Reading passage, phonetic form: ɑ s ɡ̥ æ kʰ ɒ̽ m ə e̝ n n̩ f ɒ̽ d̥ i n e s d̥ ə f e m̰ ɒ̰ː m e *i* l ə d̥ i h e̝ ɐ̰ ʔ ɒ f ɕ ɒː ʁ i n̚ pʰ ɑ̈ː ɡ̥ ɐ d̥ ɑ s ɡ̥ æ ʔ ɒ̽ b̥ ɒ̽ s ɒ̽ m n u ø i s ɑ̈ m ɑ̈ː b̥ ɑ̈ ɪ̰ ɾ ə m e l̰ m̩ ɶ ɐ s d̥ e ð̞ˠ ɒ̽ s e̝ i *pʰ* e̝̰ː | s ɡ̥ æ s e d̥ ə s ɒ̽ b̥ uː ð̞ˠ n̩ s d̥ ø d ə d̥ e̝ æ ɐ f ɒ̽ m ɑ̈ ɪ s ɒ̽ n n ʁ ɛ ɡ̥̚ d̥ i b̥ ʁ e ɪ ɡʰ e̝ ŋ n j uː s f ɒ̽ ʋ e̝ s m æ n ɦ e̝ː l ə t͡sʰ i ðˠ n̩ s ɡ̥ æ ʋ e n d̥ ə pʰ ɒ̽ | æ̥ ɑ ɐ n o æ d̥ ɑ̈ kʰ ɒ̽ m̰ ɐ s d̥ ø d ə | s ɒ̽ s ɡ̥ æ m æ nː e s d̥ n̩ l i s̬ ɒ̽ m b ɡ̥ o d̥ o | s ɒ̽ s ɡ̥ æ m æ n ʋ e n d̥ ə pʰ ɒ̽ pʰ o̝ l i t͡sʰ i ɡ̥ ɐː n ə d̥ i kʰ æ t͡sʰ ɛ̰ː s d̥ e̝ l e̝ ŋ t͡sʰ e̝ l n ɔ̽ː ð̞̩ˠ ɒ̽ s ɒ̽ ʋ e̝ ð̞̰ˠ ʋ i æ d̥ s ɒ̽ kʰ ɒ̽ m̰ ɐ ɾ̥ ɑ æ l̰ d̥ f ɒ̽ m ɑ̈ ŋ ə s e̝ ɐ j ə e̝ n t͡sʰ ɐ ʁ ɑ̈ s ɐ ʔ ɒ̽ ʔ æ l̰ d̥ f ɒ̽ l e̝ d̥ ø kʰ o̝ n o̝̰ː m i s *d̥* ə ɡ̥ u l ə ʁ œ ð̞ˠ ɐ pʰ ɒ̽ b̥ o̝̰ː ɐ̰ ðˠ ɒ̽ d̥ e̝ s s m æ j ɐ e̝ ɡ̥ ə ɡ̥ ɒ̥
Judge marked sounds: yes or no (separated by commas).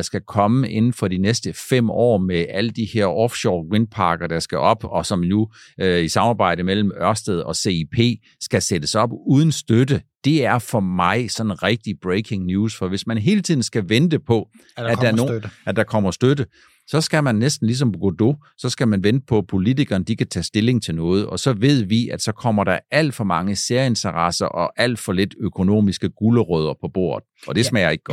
no, yes, no